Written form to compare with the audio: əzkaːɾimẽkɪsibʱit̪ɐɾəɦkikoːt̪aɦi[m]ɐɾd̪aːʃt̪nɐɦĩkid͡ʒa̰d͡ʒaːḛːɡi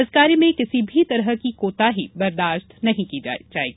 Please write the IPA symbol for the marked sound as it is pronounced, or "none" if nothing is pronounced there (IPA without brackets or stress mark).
b